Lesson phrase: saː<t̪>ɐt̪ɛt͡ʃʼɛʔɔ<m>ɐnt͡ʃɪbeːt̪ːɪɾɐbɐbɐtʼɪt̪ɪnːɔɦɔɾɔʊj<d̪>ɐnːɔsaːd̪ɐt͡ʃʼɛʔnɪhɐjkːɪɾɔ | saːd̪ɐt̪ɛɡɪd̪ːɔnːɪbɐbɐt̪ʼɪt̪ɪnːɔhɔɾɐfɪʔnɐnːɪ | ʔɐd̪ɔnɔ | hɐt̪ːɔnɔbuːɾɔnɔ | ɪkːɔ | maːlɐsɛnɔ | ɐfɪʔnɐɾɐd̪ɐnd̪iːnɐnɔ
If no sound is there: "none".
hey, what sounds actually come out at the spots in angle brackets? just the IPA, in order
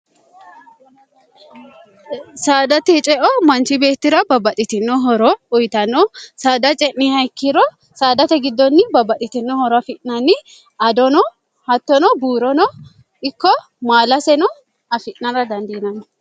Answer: d̪, m, t̪

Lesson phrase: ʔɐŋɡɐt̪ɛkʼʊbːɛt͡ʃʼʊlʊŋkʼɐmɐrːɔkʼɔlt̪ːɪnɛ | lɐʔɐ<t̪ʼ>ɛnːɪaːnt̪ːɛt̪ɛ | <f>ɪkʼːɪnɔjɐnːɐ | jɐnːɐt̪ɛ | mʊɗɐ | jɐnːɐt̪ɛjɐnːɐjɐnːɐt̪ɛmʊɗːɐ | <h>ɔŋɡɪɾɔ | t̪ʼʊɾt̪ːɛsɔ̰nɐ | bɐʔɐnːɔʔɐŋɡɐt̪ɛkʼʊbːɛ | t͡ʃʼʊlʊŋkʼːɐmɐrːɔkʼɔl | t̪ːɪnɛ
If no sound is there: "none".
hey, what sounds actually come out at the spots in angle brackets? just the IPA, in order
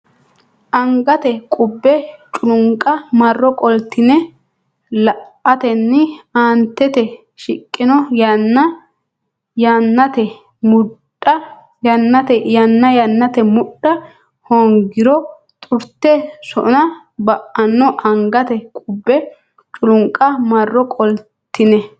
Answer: t̪, ʃ, h

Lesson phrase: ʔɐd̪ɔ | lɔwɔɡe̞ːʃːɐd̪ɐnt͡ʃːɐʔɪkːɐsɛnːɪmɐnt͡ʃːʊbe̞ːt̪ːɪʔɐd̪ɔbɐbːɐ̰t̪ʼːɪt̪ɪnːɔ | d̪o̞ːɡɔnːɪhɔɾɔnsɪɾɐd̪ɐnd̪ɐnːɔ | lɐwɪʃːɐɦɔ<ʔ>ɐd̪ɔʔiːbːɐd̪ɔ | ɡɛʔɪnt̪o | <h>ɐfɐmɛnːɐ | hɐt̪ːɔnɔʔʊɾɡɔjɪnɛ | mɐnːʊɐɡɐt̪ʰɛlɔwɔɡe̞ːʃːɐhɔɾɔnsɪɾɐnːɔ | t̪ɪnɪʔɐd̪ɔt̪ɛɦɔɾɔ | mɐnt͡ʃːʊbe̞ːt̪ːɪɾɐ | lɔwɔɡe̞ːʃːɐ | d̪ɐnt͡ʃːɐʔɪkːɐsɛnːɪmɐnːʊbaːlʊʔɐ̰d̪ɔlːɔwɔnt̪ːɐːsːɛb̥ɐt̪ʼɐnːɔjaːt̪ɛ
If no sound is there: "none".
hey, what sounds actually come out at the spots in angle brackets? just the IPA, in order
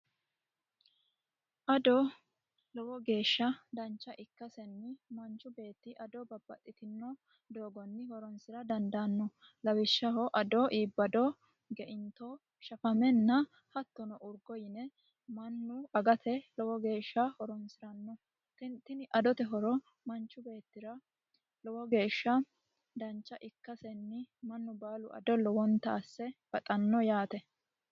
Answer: ʔ, ʃ

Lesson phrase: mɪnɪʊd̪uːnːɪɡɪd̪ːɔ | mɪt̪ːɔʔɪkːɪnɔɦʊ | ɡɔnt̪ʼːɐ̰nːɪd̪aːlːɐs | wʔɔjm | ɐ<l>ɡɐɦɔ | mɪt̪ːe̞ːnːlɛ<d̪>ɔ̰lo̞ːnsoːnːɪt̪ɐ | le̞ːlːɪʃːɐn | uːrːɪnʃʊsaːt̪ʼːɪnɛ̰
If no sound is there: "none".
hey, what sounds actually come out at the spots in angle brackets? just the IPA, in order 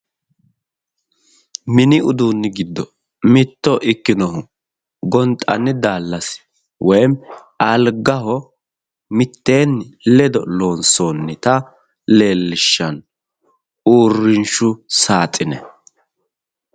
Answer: l, d̪

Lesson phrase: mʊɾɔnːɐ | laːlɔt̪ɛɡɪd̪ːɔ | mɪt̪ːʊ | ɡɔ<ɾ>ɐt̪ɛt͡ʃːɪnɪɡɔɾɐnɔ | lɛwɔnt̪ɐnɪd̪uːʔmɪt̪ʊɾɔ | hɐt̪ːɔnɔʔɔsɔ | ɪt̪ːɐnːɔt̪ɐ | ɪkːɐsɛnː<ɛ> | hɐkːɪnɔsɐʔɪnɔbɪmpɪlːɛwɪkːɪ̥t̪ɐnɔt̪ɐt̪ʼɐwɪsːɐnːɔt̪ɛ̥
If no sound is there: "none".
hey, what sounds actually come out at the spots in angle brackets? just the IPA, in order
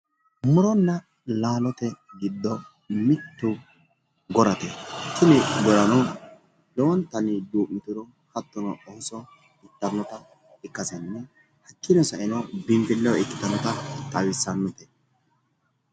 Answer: ɾ, ɛ

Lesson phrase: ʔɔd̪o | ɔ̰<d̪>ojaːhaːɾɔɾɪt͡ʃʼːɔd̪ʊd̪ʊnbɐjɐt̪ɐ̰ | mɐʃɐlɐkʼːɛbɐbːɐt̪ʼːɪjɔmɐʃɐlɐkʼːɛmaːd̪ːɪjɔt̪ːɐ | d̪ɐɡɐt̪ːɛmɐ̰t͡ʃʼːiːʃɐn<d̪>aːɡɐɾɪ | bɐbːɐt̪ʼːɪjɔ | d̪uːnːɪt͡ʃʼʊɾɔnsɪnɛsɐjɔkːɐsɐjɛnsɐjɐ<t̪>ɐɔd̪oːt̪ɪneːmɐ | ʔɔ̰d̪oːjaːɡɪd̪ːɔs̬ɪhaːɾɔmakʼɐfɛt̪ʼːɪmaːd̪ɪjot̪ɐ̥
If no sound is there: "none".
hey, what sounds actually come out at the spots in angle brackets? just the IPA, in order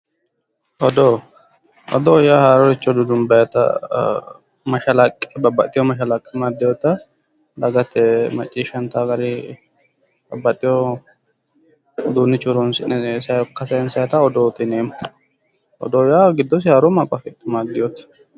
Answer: d̪, t̪, t̪

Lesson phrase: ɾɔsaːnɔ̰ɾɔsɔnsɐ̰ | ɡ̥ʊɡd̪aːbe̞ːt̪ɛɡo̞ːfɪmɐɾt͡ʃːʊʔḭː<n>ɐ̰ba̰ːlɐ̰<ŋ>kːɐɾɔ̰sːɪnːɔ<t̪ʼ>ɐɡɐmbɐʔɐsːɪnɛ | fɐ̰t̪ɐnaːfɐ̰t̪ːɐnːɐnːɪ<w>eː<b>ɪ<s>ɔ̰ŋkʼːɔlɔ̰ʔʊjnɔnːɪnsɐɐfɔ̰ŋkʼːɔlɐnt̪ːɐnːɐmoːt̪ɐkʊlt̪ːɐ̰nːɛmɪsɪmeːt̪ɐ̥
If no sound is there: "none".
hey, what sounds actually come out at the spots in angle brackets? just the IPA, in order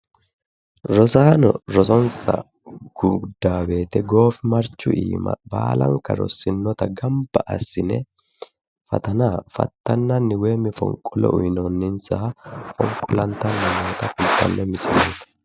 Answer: m, ŋ, t̪, w, m, f

